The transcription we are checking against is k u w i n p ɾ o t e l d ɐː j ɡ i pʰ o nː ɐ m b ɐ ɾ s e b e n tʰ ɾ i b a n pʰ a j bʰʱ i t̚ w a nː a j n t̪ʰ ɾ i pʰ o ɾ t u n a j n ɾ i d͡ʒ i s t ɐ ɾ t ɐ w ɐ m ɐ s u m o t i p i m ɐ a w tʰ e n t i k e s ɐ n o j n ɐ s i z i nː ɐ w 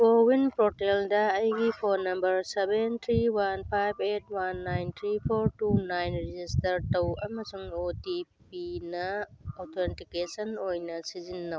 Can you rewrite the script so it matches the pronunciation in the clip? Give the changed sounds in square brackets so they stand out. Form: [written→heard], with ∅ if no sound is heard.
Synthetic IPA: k [u→o] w i n p ɾ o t e l d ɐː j ɡ i pʰ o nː ɐ m b ɐ ɾ s e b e n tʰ ɾ i [b→w] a n pʰ a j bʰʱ [i→e] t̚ w a nː a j n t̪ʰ ɾ i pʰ o ɾ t u n a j n ɾ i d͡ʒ i s t ɐ ɾ t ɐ w ɐ m ɐ s u [m→ŋ] o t i p i [m→n] ɐ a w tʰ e n t i k e s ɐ n o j n ɐ s i z i nː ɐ w